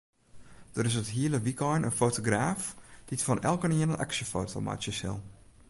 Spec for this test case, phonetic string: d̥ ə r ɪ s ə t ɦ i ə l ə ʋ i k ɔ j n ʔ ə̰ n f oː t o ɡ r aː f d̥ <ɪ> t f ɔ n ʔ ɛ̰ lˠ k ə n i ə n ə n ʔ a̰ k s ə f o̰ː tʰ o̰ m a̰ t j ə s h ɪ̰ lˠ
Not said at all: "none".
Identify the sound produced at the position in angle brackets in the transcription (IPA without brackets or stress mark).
i